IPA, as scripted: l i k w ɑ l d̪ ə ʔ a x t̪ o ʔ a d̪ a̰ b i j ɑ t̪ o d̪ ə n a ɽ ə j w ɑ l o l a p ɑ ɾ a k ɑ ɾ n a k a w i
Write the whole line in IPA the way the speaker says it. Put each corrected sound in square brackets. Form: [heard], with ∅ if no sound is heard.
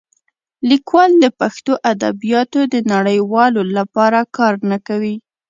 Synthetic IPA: l i k w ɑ l d̪ ə [p] a x t̪ o ʔ a d̪ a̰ b i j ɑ t̪ o d̪ ə n a ɽ ə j w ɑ l o l a p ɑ ɾ a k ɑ ɾ n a k a w i

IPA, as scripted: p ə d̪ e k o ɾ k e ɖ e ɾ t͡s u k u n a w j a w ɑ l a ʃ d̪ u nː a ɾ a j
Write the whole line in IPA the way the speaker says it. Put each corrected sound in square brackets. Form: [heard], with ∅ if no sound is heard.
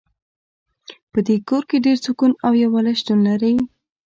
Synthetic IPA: p ə d̪ e k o ɾ k e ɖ e ɾ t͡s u k u n a w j a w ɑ l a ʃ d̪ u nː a ɾ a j

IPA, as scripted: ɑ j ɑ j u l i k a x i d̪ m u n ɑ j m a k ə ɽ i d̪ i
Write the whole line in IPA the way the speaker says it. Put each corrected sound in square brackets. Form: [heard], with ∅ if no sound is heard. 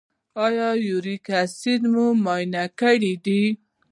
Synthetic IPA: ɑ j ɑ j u [ɾ] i k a [s] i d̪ m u [m] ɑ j [n] a k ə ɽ i d̪ i

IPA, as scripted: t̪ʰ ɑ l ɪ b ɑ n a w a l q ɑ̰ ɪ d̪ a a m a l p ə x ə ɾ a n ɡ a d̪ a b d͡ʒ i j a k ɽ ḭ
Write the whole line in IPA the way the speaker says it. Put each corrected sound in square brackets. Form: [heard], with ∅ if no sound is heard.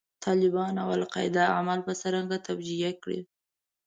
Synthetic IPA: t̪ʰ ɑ l ɪ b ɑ n a w a l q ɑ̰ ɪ d̪ a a m a l p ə [s] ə ɾ a [ŋ] ɡ a [t̪] a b d͡ʒ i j a k ɽ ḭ

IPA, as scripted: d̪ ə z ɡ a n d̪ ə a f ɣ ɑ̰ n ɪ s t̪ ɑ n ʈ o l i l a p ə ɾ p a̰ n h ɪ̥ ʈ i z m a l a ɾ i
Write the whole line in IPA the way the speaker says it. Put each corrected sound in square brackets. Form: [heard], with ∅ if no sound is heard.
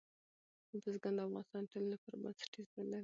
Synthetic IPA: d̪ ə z ɡ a n d̪ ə a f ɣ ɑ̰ n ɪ s t̪ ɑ n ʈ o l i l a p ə ɾ [b] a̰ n [s] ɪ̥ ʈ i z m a l a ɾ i

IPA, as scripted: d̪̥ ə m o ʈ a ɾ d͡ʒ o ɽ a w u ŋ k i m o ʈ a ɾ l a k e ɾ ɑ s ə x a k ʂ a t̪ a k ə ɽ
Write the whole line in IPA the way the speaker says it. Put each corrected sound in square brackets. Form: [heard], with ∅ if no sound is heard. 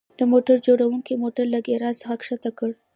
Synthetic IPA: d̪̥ ə m o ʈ a ɾ d͡ʒ o ɽ a w u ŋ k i m o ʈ a ɾ l a [ɡ] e ɾ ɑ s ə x a k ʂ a t̪ a k ə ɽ

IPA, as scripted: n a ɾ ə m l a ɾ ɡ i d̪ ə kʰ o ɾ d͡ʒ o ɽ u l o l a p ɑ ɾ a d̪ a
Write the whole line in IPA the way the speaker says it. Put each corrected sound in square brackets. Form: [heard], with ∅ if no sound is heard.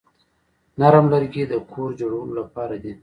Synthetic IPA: n a ɾ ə m l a ɾ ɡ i d̪ ə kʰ o ɾ d͡ʒ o ɽ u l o l a p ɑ ɾ a d̪ [i]

